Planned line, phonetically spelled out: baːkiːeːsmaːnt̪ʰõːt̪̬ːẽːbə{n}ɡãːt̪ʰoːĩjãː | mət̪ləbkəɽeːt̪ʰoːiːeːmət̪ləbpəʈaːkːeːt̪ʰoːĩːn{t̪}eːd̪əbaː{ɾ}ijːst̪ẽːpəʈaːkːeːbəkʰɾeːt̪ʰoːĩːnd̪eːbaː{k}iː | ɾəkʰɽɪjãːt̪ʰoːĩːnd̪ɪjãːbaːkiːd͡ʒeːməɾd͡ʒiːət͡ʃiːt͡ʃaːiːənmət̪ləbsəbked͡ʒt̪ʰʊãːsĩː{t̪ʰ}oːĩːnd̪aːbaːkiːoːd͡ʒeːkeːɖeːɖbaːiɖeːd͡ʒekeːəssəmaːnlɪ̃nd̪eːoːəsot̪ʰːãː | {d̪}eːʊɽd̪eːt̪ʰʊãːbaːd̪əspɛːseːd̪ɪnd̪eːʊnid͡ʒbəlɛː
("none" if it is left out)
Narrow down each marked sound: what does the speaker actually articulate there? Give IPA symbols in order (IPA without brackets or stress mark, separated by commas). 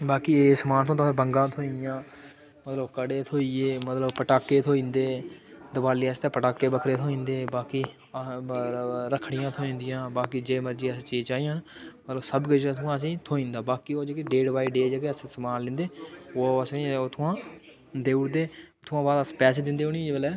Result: ŋ, d̪, l, k, t̪ʰ, d̪